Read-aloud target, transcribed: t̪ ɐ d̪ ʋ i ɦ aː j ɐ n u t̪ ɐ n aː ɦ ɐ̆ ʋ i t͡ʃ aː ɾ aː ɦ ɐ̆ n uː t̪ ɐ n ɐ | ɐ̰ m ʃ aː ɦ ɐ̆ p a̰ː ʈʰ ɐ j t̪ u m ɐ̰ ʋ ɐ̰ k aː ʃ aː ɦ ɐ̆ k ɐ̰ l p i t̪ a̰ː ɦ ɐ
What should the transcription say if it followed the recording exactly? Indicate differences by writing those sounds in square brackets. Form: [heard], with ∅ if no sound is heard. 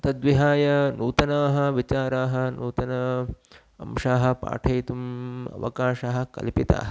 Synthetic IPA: t̪ ɐ d̪ ʋ i ɦ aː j ɐ n [uː] t̪ ɐ n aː ɦ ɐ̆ ʋ i t͡ʃ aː ɾ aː ɦ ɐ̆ n uː t̪ ɐ n ɐ | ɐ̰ m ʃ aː ɦ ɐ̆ p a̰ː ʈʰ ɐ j t̪ u m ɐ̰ ʋ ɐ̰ k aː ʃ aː ɦ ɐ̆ k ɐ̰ l p i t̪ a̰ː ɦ ɐ